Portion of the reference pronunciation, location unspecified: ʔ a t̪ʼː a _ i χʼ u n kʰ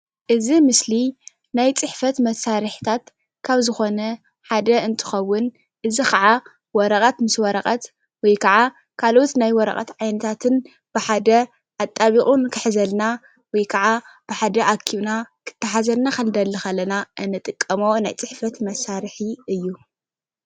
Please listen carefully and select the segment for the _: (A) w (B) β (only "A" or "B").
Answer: B